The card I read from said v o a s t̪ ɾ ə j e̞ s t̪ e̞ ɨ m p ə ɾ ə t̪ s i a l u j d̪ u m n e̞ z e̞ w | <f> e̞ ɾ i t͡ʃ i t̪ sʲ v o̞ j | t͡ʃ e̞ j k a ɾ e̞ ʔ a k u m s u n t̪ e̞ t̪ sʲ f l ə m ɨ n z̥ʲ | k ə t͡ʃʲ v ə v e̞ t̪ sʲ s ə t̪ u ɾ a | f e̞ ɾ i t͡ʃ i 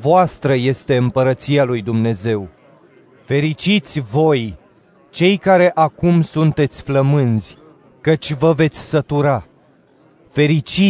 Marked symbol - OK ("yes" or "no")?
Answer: yes